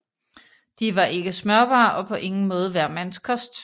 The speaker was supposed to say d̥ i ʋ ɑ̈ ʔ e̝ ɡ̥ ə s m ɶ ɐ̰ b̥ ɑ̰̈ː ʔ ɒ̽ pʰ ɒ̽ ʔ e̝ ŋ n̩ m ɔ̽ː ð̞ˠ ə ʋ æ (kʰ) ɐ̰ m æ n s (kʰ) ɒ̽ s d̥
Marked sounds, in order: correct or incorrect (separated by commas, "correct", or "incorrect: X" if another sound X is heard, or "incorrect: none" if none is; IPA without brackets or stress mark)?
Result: incorrect: none, correct